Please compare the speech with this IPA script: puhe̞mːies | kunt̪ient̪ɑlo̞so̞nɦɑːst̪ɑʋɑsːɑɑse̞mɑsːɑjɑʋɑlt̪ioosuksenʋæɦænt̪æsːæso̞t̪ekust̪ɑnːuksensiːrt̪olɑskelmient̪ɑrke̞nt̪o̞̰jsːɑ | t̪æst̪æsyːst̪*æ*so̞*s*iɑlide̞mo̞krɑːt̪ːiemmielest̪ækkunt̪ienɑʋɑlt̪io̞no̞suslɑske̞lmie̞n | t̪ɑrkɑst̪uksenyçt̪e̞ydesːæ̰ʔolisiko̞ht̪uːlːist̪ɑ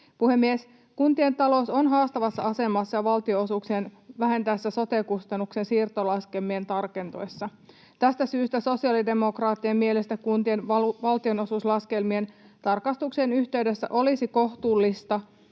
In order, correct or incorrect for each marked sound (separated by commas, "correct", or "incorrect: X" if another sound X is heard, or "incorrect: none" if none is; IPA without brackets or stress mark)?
correct, correct